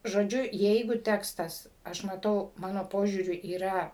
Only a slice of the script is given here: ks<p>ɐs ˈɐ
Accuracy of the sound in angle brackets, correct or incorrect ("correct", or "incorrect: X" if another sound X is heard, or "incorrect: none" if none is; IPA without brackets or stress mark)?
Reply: incorrect: t